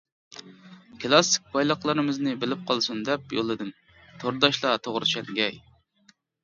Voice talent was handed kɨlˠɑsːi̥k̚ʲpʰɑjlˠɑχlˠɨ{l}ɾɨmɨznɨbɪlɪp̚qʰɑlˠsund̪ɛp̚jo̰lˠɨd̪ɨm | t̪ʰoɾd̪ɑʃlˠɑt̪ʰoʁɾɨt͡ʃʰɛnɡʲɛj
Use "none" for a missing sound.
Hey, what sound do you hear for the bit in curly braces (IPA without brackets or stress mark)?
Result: none